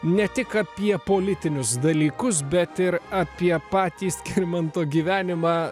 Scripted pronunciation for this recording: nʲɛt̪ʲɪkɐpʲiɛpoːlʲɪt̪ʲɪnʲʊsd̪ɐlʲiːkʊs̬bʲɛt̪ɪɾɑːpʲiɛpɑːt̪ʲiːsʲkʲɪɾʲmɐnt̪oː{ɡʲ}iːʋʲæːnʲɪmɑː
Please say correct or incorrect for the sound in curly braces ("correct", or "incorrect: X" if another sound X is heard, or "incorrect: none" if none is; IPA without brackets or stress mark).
correct